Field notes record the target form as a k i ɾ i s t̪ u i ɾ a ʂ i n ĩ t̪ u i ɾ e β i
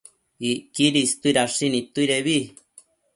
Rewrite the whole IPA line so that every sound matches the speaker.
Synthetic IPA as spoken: i k i ɾ i s t̪ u i ɾ a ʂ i n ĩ t̪ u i ɾ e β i